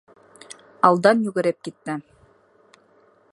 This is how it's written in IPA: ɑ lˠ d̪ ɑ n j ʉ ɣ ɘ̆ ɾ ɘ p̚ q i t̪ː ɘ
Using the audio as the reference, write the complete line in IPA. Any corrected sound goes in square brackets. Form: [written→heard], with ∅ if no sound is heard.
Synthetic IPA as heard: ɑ lˠ d̪ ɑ n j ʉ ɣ ɘ̆ ɾ ɘ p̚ [q→k] i t̪ː ɘ